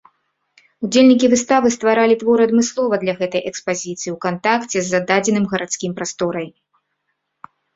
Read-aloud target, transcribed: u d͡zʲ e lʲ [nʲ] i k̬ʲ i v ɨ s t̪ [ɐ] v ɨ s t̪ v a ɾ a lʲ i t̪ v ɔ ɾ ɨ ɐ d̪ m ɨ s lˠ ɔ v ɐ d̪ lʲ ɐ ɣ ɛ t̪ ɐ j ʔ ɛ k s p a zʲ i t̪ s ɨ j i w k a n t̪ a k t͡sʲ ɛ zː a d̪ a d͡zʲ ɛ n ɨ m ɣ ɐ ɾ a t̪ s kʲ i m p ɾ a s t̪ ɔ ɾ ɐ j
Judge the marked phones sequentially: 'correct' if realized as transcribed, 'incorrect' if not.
correct, incorrect: a

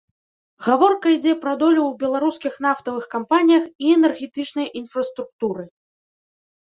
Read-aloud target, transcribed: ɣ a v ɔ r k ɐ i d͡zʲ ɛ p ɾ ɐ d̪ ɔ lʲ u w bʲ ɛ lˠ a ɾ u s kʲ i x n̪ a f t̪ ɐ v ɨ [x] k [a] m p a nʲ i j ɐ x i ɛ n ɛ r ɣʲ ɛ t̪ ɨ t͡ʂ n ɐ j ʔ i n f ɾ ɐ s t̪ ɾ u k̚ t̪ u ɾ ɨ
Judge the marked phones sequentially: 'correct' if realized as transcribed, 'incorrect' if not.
correct, correct

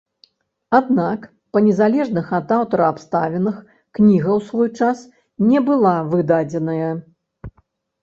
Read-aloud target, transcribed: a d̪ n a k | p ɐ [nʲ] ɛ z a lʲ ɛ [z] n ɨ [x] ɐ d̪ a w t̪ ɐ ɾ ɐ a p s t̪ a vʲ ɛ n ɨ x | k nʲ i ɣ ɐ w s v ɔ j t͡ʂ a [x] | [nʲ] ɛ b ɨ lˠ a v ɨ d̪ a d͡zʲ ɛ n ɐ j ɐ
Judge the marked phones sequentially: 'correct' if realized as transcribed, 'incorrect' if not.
correct, incorrect: ʐ, correct, incorrect: s, correct

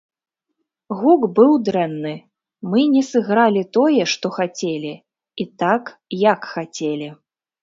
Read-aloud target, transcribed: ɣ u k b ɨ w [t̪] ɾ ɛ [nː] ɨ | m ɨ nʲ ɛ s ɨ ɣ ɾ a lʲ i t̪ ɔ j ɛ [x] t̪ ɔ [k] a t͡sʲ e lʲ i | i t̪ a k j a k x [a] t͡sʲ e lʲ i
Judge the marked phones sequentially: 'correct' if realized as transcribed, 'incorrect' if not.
incorrect: d̪, correct, incorrect: ʂ, incorrect: x, correct

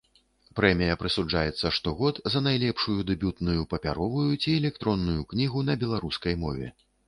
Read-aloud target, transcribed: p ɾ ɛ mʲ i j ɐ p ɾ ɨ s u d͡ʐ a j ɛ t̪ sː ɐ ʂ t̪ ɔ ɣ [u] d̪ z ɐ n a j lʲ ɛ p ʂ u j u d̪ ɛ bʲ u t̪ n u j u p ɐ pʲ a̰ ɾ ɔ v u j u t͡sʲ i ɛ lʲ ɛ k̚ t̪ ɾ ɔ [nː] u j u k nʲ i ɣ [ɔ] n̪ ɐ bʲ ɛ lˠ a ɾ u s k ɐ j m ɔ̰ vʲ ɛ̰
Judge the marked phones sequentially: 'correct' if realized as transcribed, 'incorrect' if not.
incorrect: ɔ, correct, incorrect: u

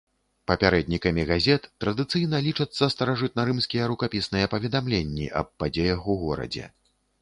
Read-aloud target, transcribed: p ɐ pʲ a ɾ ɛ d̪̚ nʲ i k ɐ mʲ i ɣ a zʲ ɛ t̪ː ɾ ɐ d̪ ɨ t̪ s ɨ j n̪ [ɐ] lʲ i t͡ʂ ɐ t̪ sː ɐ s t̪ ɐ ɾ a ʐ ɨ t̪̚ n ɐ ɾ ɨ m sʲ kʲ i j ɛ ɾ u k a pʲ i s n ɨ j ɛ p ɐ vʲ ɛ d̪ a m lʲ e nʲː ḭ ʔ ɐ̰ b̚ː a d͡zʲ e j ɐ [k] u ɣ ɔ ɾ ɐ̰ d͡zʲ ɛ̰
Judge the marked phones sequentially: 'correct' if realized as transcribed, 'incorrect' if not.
correct, incorrect: x

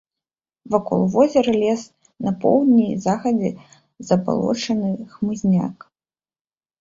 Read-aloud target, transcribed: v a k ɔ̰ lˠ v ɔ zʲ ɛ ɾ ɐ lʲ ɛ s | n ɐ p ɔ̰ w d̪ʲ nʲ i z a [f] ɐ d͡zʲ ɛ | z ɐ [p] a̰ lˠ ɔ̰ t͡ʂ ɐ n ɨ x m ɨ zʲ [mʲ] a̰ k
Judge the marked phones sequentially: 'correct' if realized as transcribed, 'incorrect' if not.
incorrect: x, incorrect: b, incorrect: nʲ

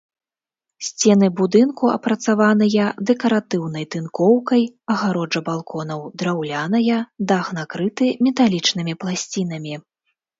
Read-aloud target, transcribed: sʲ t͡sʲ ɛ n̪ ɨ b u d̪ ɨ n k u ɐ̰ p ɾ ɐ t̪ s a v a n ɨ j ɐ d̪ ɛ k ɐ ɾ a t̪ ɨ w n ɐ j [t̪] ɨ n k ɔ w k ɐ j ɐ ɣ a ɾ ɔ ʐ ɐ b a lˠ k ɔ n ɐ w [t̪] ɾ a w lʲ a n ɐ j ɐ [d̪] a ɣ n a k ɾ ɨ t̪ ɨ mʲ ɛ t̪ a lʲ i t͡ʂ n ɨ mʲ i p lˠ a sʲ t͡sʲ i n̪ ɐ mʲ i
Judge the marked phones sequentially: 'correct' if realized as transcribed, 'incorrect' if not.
correct, incorrect: d̪, correct

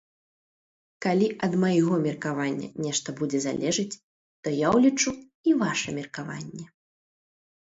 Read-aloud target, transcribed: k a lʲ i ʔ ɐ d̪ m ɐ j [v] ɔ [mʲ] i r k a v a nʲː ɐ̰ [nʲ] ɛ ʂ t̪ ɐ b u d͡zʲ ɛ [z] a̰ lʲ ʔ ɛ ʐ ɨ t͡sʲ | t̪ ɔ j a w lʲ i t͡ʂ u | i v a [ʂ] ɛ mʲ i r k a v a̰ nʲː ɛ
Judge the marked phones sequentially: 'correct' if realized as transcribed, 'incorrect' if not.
incorrect: ɣ, correct, correct, correct, correct

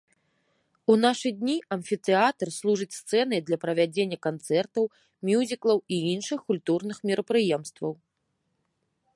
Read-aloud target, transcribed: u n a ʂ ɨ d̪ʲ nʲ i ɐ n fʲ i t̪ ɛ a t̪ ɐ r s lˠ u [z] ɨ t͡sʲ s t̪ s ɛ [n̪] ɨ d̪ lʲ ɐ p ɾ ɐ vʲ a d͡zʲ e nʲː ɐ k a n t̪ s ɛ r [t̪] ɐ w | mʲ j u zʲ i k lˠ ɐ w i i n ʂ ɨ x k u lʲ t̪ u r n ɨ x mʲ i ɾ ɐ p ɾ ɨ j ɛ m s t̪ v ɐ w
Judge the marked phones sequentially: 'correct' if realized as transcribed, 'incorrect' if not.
incorrect: ʐ, correct, correct

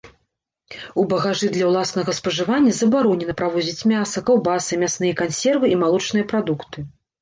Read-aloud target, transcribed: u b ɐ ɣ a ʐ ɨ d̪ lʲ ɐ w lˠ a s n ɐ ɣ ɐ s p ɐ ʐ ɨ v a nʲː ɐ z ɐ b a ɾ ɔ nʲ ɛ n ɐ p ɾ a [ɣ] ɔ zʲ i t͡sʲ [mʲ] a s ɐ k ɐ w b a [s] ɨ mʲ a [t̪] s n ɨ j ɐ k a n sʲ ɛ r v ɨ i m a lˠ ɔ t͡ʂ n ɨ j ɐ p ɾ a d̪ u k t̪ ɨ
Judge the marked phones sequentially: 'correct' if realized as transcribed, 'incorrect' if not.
incorrect: v, correct, correct, incorrect: none

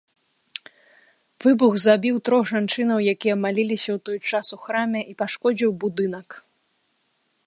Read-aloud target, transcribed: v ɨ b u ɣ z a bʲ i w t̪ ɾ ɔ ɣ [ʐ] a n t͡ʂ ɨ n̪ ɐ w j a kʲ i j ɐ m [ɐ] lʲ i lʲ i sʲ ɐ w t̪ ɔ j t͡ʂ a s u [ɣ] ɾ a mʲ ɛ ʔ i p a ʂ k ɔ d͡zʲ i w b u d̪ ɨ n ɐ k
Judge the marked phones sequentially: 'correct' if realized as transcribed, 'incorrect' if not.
correct, incorrect: a, incorrect: x

